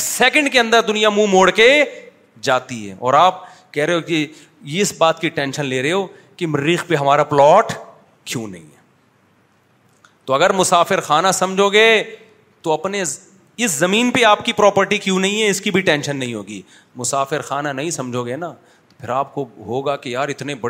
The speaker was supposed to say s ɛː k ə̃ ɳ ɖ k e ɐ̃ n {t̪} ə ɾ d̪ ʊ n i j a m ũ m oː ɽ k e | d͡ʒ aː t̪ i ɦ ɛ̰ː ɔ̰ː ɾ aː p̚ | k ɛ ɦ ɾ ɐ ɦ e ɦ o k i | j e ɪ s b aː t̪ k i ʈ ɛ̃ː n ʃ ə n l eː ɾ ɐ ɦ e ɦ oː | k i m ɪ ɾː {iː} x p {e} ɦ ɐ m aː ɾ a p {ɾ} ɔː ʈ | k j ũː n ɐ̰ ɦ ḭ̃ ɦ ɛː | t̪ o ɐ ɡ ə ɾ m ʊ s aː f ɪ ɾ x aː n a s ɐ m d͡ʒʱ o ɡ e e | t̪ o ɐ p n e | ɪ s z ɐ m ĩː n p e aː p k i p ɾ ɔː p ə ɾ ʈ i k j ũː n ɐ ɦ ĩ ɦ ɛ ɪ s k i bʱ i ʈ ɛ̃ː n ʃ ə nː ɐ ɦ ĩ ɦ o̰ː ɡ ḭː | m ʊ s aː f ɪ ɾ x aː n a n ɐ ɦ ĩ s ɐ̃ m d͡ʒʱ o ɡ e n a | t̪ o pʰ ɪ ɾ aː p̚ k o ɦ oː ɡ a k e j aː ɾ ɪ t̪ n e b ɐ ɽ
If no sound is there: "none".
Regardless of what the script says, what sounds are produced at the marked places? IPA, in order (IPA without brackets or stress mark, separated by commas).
d̪, iː, e, l